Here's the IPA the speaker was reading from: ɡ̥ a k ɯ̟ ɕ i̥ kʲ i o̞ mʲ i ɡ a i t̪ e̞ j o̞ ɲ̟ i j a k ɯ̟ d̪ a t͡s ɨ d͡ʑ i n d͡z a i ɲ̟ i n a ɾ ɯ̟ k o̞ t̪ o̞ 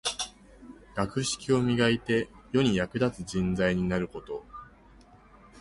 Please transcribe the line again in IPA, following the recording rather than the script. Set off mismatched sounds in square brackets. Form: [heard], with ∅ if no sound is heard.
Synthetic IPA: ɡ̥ a k ɯ̟ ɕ i̥ kʲ i o̞ mʲ i ɡ a i t̪ e̞ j o̞ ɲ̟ i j a k ɯ̟ d̪ a t͡s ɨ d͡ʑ [ĩ] n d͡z a i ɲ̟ i n a ɾ ɯ̟ k o̞ t̪ o̞